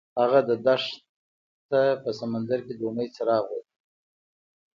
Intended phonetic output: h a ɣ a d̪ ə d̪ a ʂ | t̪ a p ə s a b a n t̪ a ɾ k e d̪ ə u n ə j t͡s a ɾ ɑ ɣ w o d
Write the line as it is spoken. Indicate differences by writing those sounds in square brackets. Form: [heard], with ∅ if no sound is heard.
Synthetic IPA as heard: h a ɣ a d̪ ə d̪ a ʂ | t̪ a p ə s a [m] a n [d̪] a ɾ k e d̪ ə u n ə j t͡s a ɾ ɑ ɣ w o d